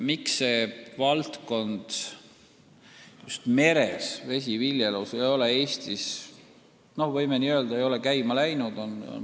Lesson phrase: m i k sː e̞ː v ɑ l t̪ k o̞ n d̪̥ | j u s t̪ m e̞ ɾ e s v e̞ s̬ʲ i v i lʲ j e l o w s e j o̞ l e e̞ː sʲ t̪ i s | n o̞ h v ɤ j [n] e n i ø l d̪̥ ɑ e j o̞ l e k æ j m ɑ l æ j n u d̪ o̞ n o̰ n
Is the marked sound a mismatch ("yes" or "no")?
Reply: yes